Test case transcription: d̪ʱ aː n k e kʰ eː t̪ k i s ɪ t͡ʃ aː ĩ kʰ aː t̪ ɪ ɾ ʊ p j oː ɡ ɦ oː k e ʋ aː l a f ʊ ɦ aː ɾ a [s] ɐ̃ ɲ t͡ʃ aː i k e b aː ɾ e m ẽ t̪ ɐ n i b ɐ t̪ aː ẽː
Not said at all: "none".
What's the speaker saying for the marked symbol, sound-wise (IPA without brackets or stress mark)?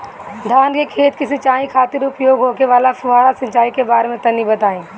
s